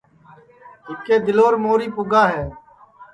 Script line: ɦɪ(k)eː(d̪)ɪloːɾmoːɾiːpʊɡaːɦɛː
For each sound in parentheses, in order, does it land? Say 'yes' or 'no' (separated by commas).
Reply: yes, yes